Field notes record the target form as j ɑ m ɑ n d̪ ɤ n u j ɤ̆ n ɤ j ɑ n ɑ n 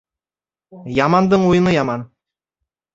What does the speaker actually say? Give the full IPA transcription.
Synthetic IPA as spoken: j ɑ m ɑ n d̪ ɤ ɴ u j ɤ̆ n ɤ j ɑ m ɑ n